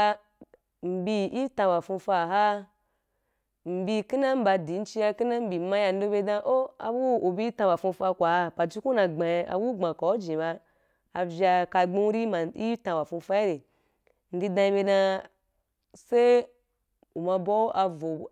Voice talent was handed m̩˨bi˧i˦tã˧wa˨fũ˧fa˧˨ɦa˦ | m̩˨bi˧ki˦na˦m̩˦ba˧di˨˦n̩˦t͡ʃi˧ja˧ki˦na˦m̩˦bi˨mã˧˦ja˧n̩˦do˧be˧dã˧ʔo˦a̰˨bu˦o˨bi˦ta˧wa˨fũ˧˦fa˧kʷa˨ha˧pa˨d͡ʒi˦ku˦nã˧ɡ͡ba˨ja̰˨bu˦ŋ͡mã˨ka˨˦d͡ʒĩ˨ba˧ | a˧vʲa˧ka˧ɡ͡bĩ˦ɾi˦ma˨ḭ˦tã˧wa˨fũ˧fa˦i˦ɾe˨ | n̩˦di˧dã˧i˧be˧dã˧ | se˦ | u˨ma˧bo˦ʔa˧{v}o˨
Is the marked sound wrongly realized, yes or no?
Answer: no